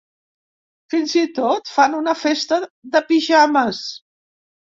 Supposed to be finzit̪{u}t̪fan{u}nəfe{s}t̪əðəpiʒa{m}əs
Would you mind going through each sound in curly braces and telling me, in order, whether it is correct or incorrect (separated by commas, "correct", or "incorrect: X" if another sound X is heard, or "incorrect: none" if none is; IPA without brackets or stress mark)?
incorrect: o, correct, correct, correct